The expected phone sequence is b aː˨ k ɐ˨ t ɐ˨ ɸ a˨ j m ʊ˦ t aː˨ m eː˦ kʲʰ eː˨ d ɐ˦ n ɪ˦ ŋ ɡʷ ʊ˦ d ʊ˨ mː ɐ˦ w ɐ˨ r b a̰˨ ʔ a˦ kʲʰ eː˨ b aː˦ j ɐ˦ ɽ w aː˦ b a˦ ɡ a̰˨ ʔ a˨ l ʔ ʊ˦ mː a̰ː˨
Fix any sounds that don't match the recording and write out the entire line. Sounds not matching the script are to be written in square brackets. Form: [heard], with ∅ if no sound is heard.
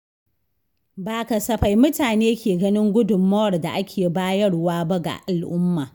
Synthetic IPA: b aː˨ k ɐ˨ [s] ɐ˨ ɸ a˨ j m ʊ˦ t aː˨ [n] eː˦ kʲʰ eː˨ [ɡ] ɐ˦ n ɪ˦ ŋ ɡʷ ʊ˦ d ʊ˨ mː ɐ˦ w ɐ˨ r [d] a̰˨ ʔ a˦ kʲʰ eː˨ b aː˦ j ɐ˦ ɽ w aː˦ b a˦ ɡ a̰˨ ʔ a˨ l ʔ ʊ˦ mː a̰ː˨